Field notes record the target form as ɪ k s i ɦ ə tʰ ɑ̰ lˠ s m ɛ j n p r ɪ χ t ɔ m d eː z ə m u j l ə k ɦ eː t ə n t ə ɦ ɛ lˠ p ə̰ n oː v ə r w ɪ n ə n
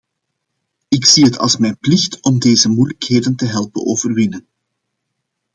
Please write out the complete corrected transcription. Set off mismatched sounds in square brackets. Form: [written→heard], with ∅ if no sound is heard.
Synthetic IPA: ɪ k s i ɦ ə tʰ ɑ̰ lˠ s m ɛ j n p [r→l] ɪ [χ→x] t ɔ m d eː z ə m u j l ə k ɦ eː [t→d] ə n t ə ɦ ɛ lˠ p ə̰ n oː v ə r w ɪ n ə n

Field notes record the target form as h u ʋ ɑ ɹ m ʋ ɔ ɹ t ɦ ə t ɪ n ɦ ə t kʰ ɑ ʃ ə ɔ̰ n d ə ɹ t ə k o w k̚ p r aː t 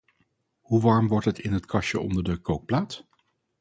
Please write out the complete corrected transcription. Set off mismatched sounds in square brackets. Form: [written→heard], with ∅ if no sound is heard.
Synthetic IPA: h u ʋ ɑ ɹ m ʋ ɔ ɹ t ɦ ə t ɪ n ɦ ə t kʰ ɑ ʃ ə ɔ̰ n d ə ɹ [t→d] ə k o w k̚ p [r→l] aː t

